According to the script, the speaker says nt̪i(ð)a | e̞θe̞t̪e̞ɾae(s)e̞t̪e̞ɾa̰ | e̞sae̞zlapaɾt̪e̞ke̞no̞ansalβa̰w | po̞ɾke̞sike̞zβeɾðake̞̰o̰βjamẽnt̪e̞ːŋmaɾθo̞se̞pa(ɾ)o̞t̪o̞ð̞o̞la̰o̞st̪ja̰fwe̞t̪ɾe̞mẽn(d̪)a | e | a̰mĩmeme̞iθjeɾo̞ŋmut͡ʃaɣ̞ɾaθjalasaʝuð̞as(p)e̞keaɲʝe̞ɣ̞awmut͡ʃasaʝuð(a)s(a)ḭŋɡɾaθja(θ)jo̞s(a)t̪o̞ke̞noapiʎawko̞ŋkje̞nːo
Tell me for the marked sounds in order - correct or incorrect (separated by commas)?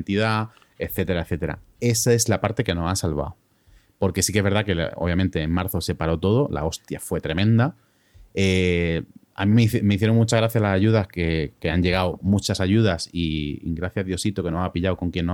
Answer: correct, incorrect, correct, correct, incorrect, correct, incorrect, incorrect, incorrect